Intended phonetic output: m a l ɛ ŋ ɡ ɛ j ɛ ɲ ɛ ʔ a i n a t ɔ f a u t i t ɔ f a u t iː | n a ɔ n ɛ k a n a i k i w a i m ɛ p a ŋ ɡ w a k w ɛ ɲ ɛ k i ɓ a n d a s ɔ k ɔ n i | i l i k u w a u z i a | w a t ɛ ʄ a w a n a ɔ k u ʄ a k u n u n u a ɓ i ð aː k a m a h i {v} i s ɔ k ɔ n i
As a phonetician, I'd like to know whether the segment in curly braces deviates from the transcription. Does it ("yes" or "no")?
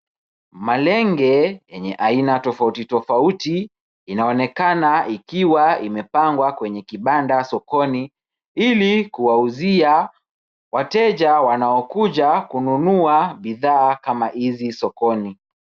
yes